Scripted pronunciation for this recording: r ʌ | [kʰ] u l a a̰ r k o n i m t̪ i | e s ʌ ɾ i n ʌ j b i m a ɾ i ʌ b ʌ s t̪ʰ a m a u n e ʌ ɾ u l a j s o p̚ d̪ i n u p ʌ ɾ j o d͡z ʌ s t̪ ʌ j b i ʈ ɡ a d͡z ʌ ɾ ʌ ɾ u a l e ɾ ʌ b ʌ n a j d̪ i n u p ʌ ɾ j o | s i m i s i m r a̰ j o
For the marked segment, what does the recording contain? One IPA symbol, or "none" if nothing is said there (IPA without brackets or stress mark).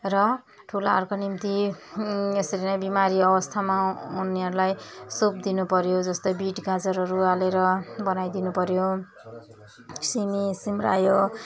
ʈʰ